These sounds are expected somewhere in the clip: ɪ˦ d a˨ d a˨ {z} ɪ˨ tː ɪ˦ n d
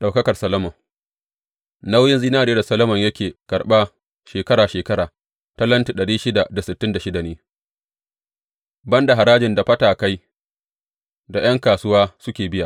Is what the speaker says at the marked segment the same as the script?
no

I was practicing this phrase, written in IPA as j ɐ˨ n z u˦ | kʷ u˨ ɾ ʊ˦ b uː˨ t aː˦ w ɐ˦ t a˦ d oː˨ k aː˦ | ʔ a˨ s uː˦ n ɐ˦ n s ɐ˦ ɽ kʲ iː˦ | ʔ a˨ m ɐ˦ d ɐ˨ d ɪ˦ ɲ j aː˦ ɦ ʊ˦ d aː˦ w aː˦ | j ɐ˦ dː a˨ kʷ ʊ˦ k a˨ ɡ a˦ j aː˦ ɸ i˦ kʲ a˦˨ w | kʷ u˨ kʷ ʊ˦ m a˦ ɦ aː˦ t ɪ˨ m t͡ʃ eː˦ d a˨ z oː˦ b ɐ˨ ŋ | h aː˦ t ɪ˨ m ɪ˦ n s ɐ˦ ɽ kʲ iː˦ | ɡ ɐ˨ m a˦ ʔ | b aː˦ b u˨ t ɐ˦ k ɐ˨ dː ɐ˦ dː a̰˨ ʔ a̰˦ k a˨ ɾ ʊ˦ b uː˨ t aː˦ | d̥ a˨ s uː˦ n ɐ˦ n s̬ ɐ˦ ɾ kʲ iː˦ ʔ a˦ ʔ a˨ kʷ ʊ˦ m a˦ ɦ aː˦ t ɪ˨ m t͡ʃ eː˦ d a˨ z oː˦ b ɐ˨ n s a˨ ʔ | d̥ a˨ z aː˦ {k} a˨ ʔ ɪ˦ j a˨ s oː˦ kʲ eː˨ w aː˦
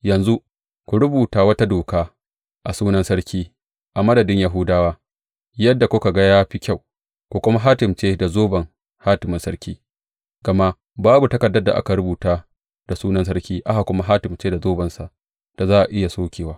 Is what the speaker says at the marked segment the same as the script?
no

